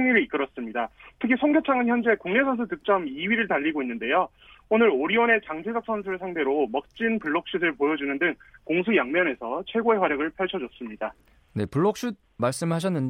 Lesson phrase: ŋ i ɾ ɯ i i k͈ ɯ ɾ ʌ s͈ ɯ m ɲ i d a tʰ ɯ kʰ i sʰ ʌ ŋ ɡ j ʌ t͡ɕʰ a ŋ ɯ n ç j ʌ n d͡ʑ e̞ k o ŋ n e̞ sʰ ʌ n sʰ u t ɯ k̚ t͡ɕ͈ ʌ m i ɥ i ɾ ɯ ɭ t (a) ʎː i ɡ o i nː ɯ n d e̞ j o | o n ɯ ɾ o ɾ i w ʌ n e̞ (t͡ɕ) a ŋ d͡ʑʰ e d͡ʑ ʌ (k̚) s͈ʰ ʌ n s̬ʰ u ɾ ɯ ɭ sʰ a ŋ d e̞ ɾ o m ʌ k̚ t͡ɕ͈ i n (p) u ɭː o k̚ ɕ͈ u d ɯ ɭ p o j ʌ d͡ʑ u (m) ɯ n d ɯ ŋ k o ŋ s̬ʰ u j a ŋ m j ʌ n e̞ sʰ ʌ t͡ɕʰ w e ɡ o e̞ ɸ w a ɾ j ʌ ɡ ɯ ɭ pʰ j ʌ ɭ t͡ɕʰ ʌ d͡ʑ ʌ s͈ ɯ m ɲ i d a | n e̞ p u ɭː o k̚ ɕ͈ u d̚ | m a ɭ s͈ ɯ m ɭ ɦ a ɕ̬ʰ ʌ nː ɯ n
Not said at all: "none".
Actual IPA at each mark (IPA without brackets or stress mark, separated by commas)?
a, t͡ɕ, k̚, p, n